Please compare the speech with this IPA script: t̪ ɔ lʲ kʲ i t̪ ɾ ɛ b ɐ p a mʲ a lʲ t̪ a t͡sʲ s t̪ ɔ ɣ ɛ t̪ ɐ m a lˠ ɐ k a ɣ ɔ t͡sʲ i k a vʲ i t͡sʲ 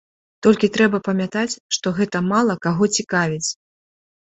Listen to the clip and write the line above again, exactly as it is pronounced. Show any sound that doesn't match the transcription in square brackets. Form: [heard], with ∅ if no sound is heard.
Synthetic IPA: t̪ ɔ lʲ kʲ i t̪ ɾ ɛ b ɐ p [ɐ] mʲ a [∅] t̪ a t͡sʲ [ʂ] t̪ ɔ ɣ ɛ t̪ ɐ m a lˠ ɐ k a ɣ ɔ t͡sʲ i k a vʲ i t͡sʲ